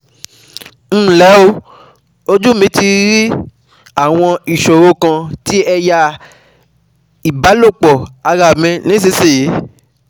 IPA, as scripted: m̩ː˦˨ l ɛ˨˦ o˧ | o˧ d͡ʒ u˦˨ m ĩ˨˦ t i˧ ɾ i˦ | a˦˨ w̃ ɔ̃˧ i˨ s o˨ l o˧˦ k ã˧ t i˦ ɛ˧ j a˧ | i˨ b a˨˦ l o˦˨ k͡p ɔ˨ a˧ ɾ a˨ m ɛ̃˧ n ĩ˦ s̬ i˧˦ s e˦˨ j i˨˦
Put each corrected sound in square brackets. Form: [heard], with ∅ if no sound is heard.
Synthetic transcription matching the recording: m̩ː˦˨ l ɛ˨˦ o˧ | o˧ d͡ʒ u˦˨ m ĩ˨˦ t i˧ ɾ i˦ | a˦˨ w̃ ɔ̃˧ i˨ [ʃ] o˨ [ɾ] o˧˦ k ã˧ t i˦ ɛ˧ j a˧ | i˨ b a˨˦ l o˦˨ k͡p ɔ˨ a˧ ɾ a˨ m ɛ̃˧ n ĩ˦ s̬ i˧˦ s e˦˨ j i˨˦